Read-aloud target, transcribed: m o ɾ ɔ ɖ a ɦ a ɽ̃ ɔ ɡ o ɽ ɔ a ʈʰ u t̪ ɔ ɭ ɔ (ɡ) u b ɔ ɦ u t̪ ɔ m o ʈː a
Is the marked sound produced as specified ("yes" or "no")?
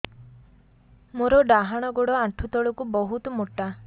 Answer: no